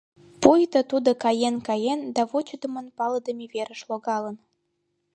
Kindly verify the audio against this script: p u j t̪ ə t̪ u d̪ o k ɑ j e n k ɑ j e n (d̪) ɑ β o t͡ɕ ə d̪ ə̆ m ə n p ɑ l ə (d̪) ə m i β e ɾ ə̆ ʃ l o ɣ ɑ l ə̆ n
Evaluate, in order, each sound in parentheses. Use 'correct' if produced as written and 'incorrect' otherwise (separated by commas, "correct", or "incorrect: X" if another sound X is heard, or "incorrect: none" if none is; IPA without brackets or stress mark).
correct, correct